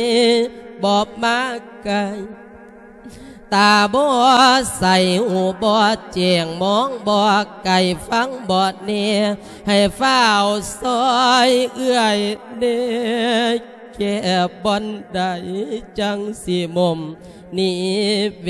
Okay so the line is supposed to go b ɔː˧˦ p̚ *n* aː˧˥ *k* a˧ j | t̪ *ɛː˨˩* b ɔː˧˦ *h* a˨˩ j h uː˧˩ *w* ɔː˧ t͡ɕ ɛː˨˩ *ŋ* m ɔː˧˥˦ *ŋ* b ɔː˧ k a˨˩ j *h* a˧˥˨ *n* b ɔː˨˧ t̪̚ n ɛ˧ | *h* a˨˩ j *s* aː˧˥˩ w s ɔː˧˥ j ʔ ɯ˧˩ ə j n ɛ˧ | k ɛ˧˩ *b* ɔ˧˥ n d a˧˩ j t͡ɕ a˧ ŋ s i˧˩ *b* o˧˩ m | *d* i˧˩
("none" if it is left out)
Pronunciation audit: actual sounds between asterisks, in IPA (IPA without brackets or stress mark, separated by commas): m, k, aː˨˩, s, b, ŋ, ŋ, f, ŋ, h, f, b, m, n